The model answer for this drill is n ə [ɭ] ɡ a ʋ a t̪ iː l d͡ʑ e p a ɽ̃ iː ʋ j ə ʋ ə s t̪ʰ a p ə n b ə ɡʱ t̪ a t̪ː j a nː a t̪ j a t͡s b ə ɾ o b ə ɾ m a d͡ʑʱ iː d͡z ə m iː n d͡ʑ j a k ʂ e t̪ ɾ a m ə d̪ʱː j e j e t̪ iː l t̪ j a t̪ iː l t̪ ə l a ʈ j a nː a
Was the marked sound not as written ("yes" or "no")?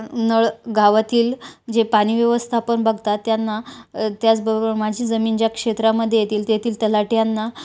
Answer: no